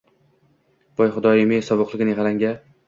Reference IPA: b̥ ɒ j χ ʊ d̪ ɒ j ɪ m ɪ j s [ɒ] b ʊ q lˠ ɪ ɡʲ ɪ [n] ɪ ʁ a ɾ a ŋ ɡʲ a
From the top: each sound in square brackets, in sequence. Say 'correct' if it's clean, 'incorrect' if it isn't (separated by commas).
correct, correct